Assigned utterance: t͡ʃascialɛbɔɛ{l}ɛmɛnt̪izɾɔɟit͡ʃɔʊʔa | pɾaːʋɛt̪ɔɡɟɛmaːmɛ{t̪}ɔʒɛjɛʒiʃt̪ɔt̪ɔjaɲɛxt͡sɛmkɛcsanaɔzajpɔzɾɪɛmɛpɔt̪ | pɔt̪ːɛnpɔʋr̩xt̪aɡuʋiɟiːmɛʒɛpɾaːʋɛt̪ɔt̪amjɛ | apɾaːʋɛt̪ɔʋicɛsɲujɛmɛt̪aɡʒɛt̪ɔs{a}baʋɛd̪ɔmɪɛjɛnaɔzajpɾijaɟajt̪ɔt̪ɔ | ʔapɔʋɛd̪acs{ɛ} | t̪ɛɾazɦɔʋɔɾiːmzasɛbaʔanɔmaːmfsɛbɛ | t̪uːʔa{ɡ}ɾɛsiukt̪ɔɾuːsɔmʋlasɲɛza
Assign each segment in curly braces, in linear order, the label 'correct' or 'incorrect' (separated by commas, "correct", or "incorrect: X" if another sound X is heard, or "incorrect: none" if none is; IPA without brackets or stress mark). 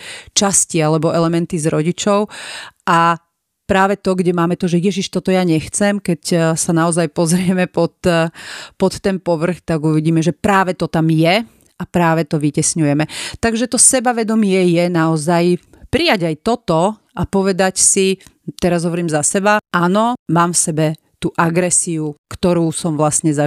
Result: correct, correct, incorrect: ɛ, incorrect: i, correct